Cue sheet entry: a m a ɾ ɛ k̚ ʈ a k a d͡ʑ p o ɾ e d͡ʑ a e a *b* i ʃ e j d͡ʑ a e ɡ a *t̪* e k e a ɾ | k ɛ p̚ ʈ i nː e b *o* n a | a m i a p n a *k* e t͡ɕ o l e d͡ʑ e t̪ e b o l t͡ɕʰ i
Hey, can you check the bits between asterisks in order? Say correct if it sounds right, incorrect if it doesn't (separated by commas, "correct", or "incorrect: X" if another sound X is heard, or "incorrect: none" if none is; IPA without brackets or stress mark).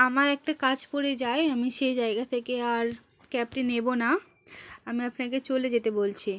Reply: incorrect: m, incorrect: t̪ʰ, correct, correct